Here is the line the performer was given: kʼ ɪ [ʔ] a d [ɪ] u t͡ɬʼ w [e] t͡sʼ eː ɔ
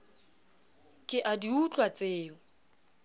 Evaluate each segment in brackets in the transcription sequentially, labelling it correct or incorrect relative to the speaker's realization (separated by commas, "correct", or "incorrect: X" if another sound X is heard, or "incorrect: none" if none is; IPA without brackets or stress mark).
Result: correct, incorrect: i, incorrect: a